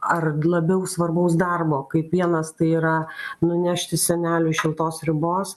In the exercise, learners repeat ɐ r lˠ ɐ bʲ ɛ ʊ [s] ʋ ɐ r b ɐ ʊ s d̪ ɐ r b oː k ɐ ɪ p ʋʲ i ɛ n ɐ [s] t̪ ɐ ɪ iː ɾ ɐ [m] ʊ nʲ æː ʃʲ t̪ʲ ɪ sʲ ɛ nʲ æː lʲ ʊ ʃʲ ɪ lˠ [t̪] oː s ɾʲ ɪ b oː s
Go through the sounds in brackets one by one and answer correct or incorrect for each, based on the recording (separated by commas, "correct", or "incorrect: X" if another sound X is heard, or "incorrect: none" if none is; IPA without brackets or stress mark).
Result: correct, correct, incorrect: n, correct